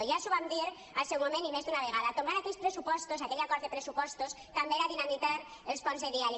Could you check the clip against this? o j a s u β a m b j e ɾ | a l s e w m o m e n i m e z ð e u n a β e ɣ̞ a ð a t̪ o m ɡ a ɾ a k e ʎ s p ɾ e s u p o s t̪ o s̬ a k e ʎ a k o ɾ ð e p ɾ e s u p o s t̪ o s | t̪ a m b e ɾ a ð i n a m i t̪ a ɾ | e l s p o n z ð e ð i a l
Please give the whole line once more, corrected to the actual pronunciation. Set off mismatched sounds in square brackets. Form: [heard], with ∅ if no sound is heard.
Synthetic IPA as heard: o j a s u β a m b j e ɾ | a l s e w m o m e n i m e z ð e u n a β e ɣ̞ a ð a t̪ o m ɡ a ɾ a k e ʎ s p ɾ e s u p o s t̪ o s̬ a k e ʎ a k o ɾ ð e p ɾ e s u p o s t̪ o s | t̪ a m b e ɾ a ð i n a m i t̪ a ɾ | e l s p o n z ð e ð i a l